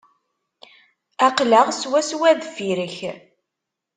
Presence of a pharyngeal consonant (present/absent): absent